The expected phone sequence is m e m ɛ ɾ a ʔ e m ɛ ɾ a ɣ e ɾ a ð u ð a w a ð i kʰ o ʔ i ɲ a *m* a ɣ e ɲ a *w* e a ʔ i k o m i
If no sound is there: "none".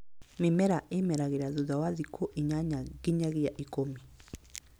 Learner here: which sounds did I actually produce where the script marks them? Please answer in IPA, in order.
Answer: ɲ, ɣ

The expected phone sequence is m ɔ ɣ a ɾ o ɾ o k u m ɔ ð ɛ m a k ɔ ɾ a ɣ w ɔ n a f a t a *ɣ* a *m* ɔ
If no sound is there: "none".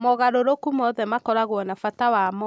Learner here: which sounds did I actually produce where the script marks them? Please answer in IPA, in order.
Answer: w, m

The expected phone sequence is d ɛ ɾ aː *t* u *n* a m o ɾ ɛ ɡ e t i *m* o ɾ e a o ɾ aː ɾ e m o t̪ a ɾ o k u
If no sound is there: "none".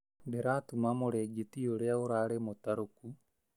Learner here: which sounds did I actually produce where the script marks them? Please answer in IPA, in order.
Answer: t, m, none

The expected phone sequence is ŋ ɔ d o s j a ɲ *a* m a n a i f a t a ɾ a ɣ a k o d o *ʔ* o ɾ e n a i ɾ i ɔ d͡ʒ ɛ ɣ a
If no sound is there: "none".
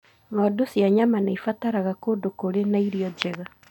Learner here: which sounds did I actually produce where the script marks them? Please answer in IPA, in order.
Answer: a, k

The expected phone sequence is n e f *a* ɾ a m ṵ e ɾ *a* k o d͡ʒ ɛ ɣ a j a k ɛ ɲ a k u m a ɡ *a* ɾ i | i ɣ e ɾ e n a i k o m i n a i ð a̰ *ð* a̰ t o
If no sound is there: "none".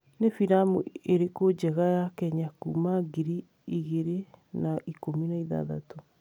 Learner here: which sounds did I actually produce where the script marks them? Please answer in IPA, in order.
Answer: i, e, i, ð

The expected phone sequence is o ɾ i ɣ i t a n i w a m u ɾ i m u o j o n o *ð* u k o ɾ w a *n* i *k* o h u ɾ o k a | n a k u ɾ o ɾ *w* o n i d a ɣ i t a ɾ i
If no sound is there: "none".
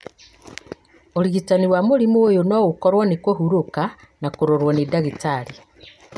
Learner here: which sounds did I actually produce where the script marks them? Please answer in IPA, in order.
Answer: ɣ, n, k, w

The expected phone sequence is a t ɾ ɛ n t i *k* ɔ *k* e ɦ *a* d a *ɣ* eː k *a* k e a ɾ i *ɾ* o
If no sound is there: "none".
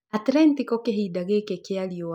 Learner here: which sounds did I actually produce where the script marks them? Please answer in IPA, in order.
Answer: k, k, i, ɣ, e, none

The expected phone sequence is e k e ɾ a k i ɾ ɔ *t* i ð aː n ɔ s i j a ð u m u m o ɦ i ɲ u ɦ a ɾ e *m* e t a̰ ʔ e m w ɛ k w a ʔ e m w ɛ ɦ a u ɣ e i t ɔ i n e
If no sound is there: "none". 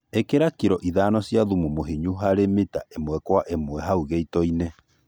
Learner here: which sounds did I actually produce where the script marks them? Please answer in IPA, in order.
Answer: ʔ, m

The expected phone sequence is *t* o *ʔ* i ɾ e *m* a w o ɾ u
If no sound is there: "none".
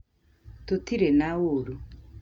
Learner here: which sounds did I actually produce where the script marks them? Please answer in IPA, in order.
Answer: t, t, n

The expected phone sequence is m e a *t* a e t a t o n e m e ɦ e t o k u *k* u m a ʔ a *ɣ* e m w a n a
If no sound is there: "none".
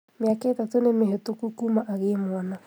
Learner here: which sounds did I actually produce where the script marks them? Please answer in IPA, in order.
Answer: k, k, ɣ

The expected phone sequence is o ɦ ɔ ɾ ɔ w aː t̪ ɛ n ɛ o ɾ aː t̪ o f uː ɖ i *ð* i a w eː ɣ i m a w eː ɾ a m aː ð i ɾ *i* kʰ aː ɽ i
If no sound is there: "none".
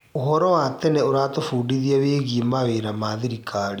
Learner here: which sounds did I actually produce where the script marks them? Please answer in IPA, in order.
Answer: ð, i

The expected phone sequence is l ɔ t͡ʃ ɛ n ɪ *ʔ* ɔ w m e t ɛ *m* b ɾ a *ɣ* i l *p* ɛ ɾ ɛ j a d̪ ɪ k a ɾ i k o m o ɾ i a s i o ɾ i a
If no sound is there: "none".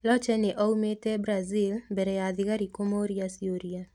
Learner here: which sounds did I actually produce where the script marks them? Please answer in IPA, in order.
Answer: ʔ, none, z, b

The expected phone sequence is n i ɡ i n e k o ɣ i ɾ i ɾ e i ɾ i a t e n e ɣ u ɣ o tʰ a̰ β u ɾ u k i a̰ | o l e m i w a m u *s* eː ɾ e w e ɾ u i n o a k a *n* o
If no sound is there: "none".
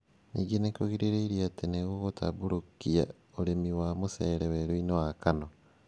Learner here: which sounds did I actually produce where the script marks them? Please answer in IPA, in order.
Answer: s, n

